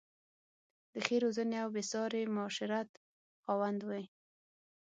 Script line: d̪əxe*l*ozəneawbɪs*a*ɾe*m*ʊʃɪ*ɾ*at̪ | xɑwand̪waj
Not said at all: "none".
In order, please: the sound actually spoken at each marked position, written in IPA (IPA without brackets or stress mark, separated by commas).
ɾ, ɑ, m, ɾ